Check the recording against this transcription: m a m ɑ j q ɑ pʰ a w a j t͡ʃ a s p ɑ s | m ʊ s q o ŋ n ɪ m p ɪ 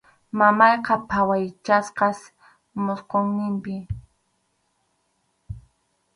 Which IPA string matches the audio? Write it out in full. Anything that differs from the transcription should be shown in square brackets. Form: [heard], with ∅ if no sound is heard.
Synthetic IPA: m a m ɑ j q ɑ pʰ a w a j t͡ʃ a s [q] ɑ s | m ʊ s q o ŋ n ɪ m p ɪ